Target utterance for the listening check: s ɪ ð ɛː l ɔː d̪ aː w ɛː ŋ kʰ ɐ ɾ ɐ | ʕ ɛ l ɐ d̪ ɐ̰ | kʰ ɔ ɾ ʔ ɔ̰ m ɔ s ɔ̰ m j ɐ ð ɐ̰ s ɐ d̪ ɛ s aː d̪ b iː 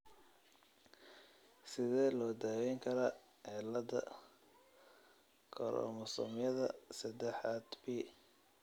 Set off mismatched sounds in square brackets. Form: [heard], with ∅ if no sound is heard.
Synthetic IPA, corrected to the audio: s ɪ ð ɛː l ɔː d̪ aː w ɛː ŋ kʰ ɐ ɾ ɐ | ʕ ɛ l ɐ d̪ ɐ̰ | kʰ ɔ ɾ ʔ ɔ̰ m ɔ s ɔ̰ m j ɐ ð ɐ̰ s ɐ d̪ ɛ [ħ] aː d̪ b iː